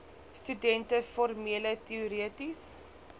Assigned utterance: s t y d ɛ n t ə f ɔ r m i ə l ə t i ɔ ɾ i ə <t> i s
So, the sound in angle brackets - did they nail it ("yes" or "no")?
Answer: yes